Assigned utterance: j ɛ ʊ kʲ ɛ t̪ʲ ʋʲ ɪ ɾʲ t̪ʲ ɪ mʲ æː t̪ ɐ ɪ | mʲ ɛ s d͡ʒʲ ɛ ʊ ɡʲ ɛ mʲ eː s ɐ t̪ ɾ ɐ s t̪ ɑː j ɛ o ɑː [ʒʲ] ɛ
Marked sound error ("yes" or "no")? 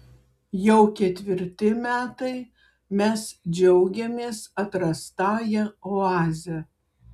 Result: yes